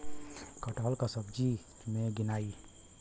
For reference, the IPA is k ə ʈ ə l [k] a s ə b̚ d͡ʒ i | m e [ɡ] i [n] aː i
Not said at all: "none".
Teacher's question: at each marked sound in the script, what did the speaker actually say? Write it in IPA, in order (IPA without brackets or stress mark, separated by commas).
k, ɡ, n